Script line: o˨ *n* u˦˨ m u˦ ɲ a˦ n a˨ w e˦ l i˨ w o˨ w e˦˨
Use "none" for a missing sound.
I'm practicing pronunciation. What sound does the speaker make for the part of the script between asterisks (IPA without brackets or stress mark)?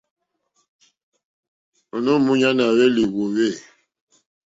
n